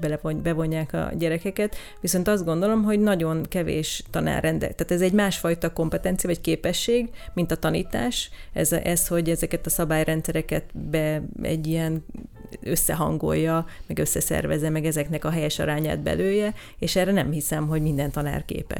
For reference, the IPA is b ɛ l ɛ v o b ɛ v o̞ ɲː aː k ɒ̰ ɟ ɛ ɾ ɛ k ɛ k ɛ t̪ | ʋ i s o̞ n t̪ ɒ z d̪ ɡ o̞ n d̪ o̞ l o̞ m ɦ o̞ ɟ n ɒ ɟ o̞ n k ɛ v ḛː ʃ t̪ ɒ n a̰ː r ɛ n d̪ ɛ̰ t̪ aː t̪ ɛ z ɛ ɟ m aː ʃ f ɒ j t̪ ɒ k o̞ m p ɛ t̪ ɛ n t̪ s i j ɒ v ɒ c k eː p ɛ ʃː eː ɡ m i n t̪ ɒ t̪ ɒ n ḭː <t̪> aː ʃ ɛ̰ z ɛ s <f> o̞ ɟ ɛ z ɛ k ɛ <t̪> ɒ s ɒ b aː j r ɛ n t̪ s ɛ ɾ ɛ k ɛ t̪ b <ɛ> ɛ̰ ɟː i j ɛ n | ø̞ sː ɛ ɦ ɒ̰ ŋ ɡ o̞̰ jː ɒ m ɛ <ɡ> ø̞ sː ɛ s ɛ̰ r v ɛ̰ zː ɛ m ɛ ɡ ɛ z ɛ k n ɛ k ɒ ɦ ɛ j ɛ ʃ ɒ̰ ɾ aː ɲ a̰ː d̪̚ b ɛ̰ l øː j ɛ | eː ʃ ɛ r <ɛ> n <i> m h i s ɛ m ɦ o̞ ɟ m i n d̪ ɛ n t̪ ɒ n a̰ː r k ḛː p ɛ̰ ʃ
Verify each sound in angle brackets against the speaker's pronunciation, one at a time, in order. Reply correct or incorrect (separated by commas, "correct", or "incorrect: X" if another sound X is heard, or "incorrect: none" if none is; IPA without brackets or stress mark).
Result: correct, incorrect: h, correct, correct, correct, correct, incorrect: ɛ